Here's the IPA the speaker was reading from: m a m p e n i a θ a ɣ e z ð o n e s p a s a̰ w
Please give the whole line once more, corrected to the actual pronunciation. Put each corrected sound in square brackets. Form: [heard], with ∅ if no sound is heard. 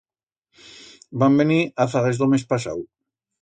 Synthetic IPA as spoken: [b] a m [b] e n i a θ a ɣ e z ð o [m] e s p a s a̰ w